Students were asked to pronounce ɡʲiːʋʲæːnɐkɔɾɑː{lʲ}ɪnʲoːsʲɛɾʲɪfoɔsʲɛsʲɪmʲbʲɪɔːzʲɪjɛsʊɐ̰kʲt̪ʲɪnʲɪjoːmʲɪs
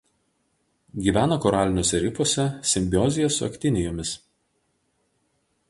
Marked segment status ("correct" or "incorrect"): correct